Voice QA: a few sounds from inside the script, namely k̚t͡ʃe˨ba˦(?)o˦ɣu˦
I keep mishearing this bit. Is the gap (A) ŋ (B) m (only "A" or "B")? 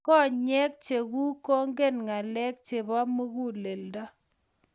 B